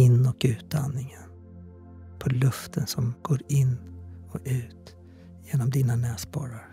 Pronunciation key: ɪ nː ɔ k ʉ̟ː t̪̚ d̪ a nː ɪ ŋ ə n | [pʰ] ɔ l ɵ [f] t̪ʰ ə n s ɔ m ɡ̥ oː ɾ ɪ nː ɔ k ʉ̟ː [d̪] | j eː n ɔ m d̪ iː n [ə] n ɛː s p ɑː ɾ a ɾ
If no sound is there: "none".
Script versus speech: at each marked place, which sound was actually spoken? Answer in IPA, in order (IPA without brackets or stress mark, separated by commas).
pʰ, f, t̪, a